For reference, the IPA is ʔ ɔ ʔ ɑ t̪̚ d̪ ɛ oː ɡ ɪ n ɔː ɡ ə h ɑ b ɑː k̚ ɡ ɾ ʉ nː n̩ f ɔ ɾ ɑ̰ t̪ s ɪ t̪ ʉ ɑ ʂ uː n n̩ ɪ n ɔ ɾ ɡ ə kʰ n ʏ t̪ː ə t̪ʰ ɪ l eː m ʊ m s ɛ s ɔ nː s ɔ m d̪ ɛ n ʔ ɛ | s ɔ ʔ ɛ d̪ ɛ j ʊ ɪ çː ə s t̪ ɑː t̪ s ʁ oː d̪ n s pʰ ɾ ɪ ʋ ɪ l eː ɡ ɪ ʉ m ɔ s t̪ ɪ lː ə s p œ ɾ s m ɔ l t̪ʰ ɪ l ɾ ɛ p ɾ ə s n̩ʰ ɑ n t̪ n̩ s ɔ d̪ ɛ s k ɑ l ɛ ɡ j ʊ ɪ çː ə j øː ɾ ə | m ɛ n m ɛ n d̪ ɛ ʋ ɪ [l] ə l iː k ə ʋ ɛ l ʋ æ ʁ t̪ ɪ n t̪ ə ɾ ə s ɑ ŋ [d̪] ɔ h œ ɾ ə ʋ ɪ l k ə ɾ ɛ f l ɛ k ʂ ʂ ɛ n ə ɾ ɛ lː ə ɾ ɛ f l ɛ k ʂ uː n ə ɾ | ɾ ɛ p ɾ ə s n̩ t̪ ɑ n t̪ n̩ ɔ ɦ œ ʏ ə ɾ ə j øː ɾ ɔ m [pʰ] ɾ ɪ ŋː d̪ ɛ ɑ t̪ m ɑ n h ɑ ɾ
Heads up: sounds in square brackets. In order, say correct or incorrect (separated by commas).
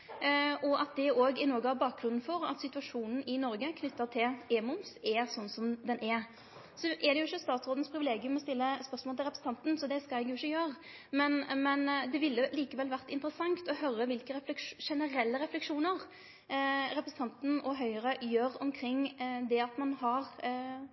incorrect, incorrect, incorrect